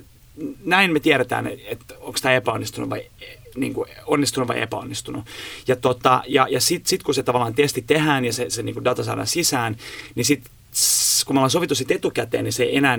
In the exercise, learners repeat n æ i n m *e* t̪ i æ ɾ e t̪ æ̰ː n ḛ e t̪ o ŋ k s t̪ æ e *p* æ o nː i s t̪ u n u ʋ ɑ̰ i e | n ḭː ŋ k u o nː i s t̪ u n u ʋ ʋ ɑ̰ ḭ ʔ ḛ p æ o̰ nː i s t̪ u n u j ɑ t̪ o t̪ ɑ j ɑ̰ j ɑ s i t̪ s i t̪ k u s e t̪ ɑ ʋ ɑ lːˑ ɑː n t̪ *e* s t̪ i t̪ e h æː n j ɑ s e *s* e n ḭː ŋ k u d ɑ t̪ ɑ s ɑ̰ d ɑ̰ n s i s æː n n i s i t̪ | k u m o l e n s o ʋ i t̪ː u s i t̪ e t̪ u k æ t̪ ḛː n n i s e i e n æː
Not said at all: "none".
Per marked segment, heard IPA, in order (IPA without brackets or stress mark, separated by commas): e, p, e, s